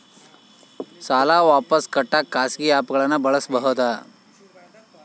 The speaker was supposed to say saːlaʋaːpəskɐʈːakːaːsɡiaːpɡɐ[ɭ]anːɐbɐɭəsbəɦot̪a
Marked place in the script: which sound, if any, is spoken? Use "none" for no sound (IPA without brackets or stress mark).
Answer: ɭ